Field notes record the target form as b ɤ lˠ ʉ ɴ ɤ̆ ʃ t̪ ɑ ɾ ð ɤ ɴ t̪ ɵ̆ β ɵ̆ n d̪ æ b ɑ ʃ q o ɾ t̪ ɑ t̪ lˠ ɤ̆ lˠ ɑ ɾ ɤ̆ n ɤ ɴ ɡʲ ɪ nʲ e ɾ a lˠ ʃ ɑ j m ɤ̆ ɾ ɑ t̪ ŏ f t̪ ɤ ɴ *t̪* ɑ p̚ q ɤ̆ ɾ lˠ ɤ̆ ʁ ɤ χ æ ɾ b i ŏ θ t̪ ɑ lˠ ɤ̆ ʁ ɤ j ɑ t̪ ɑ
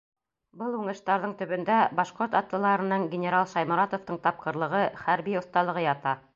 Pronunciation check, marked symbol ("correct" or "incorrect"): correct